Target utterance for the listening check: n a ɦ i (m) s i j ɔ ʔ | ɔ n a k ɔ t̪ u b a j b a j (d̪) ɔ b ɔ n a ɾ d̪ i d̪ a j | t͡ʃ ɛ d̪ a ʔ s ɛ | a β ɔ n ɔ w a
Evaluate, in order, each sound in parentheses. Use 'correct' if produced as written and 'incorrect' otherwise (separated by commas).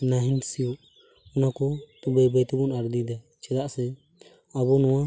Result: incorrect, incorrect